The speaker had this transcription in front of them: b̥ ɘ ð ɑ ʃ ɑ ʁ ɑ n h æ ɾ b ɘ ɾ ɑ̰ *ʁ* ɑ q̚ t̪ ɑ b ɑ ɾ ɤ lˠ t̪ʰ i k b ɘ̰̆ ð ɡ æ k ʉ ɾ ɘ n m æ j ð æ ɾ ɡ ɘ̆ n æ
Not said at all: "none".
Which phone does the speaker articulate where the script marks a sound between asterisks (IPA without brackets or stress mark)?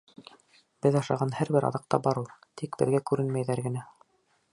ð